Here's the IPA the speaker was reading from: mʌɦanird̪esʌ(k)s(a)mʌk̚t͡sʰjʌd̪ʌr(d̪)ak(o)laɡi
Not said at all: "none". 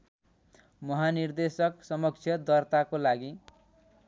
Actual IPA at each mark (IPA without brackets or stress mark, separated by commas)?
k, ʌ, t̪, o